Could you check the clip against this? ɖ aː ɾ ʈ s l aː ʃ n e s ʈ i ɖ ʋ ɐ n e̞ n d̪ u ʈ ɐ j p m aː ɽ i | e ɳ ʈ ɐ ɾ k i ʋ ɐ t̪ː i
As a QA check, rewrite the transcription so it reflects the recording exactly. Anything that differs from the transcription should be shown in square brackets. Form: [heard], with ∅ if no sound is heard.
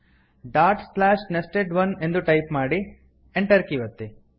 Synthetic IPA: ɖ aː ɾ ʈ s l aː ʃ n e s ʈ [e] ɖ ʋ ɐ n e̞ n d̪ u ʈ ɐ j p m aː ɽ i | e ɳ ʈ ɐ ɾ k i ʋ ɐ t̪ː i